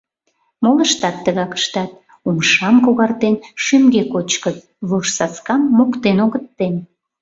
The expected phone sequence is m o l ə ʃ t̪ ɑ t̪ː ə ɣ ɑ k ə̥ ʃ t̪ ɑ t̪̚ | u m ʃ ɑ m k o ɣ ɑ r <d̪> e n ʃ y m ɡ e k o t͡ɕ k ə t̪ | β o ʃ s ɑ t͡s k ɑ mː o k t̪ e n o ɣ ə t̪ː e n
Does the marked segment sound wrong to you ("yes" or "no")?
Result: yes